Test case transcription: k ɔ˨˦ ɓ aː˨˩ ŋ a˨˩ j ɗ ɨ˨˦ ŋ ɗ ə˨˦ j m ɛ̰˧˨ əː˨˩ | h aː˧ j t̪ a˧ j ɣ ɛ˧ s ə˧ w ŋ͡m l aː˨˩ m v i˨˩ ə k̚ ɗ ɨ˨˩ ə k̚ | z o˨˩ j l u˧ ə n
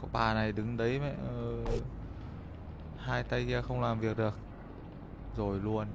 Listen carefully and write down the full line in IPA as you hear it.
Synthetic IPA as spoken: k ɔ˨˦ ɓ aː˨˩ n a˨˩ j ɗ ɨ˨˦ ŋ ɗ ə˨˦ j m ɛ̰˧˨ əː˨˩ | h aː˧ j t̪ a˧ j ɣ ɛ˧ x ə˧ w ŋ͡m l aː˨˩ m v i˨˩ ə k̚ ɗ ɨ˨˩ ə k̚ | z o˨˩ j l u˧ ə n

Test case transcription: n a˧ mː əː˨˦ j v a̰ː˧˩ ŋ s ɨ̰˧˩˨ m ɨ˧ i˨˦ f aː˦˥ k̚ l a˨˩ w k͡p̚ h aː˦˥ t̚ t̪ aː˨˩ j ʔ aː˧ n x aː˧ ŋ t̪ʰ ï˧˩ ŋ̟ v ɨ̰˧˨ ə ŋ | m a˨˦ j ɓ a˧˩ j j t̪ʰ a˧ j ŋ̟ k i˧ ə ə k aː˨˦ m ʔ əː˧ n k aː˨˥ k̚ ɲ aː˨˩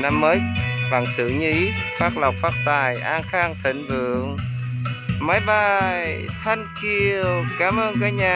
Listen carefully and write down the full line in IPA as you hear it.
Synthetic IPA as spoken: n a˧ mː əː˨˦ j v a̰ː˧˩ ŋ s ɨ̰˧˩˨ ɲ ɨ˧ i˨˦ f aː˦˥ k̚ l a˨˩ w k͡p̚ f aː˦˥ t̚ t̪ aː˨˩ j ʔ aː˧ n x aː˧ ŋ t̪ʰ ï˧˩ ŋ̟ v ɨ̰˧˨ ə ŋ | m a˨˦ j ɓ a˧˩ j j t̪ʰ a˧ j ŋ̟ k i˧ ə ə k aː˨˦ m ʔ əː˧ n k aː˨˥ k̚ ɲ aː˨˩

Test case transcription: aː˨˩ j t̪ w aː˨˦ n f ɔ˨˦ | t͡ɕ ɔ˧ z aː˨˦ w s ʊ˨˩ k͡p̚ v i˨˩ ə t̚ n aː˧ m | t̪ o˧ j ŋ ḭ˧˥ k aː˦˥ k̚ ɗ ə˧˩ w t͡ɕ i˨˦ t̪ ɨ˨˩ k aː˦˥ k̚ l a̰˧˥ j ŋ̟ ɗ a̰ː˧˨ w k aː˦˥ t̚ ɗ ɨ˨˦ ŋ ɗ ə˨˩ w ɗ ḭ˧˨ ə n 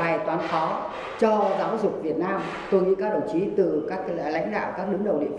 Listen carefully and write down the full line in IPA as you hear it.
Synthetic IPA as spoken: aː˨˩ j t̪ w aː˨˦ n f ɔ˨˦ | t͡ɕ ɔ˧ z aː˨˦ w z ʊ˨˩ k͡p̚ v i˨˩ ə t̚ n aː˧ m | t̪ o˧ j ŋ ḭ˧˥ k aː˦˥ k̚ ɗ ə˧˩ w t͡ɕ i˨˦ t̪ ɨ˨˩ k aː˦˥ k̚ l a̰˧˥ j ŋ̟ ɗ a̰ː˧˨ w k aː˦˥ k̚ ɗ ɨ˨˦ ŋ ɗ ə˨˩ w ɗ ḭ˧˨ ə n

